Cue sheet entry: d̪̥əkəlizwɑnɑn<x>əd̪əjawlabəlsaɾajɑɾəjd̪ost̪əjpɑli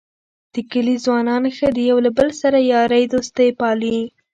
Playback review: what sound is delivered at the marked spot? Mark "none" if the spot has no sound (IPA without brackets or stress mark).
x